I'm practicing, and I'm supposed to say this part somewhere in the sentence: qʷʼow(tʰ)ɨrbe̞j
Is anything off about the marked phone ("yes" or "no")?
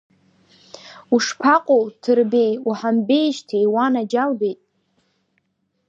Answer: no